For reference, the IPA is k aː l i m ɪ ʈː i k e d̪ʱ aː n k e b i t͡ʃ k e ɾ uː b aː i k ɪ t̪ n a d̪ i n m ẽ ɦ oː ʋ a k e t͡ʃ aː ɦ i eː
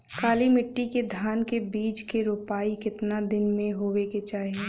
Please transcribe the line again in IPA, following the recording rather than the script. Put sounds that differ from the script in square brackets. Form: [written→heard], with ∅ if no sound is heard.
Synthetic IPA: k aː l i m ɪ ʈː i k e d̪ʱ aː n k e b [i→iː] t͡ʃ k e ɾ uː [b→p] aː i k ɪ t̪ n a d̪ [i→ɪ] n m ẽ ɦ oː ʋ [a→e] k e t͡ʃ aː ɦ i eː

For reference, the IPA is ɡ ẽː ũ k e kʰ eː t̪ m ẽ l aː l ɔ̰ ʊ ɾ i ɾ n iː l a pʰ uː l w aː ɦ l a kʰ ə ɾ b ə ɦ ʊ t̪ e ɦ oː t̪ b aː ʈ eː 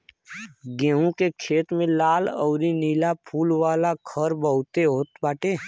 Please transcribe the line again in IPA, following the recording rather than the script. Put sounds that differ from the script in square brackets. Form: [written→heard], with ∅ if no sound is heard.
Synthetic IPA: ɡ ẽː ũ k e kʰ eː t̪ m ẽ l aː l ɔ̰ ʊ ɾ i [ɾ→∅] n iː l a pʰ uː l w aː [ɦ→∅] l a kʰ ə ɾ b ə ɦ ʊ t̪ e ɦ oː t̪ b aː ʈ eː

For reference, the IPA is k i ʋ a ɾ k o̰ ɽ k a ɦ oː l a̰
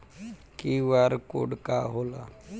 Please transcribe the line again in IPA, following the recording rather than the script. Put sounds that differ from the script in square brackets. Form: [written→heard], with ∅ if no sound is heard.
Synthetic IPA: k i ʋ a ɾ k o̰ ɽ k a ɦ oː l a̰

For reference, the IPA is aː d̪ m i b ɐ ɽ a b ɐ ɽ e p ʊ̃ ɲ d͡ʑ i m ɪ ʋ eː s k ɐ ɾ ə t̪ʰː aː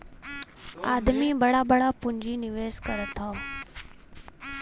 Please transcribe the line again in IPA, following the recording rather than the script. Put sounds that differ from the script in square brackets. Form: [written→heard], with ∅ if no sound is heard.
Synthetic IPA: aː d̪ m i b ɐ ɽ a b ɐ ɽ [e→a] p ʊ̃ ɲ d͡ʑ i [m→n] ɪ ʋ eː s k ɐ ɾ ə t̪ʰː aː

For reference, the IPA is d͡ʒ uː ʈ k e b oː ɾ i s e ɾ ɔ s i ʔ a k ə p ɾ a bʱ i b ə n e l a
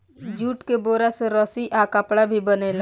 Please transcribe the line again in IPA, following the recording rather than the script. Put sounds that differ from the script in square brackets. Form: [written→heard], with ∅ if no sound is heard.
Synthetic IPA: d͡ʒ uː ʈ k e b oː ɾ [i→a] s e ɾ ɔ s i ʔ a k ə p [ɾ→ɽ] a bʱ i b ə n e l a

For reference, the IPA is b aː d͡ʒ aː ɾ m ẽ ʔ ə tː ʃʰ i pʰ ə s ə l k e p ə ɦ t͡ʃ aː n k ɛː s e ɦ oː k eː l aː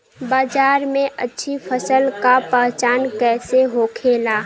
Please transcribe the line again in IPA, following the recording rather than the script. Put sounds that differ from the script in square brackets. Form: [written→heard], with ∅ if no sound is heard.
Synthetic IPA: b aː d͡ʒ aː ɾ m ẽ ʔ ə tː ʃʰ i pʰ ə s ə l k [e→a] p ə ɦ t͡ʃ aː n k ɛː s e ɦ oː [k→kʰ] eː l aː

